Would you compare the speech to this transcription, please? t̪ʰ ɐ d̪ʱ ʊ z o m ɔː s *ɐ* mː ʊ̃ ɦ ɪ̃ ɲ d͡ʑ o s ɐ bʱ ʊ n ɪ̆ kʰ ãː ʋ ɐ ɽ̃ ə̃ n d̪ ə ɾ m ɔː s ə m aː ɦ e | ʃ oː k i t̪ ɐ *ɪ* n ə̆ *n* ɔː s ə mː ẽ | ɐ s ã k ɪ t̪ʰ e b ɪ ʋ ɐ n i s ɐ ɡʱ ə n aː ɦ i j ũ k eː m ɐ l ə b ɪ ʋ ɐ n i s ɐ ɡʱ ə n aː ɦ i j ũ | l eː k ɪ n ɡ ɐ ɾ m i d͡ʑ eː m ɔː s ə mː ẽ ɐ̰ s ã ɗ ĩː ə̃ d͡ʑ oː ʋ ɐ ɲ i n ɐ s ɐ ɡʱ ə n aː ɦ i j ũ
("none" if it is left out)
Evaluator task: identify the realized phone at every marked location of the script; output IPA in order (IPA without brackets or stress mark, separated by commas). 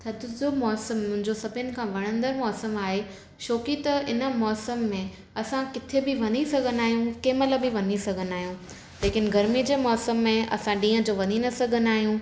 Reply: ə, ɪ, m